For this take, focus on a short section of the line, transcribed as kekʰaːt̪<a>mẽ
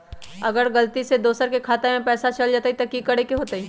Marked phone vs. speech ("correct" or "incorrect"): incorrect